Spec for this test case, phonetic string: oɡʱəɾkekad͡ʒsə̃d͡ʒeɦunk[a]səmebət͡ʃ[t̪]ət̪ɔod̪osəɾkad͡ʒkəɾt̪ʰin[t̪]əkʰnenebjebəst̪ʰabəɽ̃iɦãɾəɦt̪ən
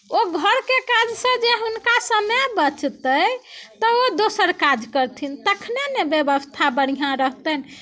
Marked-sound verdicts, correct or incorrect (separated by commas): correct, correct, correct